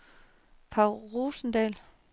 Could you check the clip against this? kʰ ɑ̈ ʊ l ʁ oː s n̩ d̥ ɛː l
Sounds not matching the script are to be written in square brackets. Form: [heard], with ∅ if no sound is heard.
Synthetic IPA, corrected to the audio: [pʰ] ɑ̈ ʊ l ʁ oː s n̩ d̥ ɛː l